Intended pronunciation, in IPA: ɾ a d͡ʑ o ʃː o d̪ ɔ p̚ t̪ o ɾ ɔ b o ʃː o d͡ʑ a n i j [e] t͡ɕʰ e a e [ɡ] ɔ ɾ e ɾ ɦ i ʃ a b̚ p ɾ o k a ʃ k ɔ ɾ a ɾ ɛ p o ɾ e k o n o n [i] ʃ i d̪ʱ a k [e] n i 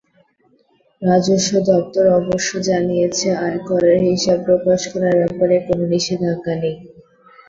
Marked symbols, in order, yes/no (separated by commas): yes, no, yes, no